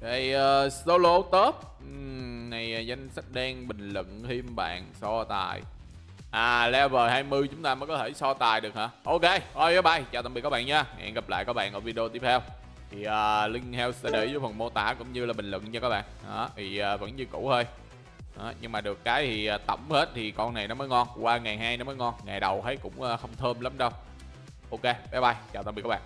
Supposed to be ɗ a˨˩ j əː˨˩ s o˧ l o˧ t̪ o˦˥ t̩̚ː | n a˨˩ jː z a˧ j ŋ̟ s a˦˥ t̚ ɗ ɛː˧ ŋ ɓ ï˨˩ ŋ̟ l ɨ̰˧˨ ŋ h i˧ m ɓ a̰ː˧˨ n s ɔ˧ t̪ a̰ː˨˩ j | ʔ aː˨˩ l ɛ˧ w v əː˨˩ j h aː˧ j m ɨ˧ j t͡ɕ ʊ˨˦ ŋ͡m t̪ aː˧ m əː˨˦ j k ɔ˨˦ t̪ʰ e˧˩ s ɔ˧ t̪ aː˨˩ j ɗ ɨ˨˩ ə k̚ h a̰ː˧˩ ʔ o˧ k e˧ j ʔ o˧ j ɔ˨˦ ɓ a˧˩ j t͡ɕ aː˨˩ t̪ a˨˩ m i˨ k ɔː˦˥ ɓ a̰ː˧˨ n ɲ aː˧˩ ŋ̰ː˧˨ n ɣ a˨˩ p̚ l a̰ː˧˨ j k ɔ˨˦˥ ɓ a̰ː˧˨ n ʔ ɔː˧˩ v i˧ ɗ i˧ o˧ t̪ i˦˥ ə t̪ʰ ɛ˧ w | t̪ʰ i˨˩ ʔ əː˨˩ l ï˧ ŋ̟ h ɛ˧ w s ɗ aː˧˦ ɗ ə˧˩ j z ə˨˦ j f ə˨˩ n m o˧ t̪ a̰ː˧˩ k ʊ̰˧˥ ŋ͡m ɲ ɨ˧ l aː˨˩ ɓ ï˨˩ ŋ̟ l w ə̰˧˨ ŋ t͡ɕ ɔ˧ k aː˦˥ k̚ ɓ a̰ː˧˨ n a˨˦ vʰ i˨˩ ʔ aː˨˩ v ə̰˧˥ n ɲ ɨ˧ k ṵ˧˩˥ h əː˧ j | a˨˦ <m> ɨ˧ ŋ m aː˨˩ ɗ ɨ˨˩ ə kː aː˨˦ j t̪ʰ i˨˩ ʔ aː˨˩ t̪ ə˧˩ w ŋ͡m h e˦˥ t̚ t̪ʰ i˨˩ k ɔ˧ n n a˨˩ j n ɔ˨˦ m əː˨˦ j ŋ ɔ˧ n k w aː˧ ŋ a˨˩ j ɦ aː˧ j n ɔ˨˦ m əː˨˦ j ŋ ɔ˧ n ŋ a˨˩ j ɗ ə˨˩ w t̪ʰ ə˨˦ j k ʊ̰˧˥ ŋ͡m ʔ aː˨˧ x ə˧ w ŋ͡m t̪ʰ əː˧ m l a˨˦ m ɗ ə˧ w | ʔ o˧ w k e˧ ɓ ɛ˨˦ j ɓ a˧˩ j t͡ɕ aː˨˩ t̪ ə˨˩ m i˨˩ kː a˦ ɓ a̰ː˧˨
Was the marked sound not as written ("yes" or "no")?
yes